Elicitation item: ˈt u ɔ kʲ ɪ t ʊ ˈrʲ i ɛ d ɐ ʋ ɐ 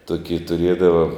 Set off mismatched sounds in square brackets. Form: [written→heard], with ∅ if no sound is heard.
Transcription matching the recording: ˈt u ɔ kʲ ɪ t ʊ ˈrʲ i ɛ d ɐ ʋ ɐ